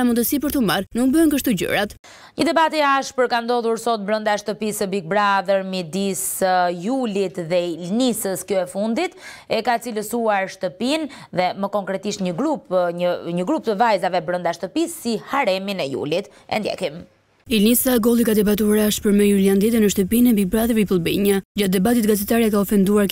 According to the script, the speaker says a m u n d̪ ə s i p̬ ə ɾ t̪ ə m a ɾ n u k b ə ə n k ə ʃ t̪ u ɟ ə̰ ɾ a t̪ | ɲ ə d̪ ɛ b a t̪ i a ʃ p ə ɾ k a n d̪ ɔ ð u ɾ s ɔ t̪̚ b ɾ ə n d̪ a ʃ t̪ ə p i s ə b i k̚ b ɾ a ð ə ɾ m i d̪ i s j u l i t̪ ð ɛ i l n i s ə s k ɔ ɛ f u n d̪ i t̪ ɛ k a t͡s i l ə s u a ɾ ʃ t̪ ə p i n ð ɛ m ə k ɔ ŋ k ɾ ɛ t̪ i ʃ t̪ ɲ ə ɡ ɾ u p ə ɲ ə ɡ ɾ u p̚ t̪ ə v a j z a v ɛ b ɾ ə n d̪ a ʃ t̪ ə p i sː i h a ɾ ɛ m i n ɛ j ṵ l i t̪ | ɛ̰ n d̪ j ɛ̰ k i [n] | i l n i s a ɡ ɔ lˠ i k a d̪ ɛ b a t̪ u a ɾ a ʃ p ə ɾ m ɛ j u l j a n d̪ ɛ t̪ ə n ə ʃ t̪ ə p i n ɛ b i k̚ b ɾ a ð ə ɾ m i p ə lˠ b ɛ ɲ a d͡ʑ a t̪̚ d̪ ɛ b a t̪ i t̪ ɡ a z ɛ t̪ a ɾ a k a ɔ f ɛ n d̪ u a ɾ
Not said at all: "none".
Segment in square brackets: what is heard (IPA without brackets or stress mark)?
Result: m